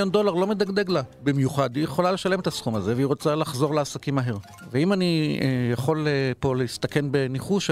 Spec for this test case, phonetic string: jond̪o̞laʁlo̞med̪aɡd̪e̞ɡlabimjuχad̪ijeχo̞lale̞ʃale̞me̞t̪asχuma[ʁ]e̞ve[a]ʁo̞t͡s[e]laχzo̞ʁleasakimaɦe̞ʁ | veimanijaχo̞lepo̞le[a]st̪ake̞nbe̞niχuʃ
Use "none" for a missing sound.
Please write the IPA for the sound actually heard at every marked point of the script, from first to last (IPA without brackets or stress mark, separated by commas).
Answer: z, i, a, i